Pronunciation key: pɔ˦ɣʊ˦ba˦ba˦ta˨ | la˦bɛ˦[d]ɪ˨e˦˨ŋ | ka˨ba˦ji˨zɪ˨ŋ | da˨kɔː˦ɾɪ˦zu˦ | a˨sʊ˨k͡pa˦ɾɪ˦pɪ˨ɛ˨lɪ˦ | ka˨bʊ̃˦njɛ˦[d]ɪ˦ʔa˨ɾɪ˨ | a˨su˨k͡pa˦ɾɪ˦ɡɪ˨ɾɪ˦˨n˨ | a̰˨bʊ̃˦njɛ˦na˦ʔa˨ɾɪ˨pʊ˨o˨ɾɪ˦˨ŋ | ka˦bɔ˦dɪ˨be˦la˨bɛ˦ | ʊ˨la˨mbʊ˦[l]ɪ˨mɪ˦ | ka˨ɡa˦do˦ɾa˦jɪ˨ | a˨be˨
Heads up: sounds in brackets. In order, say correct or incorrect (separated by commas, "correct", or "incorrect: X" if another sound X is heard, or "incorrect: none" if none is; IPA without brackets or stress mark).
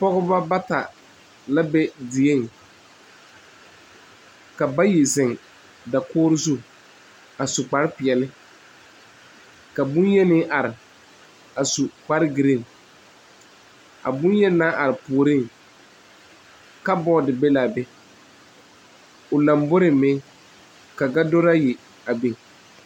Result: correct, incorrect: n, incorrect: ɾ